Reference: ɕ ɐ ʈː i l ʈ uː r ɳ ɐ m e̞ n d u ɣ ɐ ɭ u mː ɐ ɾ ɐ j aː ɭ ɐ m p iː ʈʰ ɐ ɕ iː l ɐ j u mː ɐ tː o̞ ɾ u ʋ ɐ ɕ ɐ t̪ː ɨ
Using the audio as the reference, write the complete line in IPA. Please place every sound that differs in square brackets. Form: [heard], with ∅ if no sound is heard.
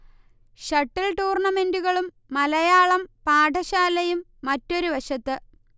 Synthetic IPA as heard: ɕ ɐ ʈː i l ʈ uː r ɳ ɐ m e̞ n d u ɣ ɐ ɭ u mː ɐ [l] ɐ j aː ɭ ɐ m p [aː] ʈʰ ɐ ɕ [aː] l ɐ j u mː ɐ tː o̞ ɾ u ʋ ɐ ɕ ɐ t̪ː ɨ